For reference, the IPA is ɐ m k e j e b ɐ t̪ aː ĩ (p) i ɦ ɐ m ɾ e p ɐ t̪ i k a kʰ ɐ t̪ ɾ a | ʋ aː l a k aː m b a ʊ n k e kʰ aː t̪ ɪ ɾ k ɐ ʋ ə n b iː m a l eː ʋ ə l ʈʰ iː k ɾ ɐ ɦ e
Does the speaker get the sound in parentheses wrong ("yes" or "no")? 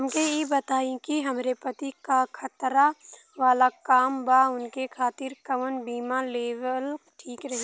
yes